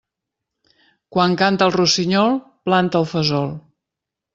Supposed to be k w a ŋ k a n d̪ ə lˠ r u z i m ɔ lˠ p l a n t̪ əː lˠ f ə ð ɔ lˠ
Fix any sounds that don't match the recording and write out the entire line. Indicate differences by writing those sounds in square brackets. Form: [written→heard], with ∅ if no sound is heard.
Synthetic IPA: k w a ŋ k a n [d̪→t̪] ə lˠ r u [z→s] i [m→ɲ] ɔ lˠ p l a n t̪ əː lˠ f ə [ð→z] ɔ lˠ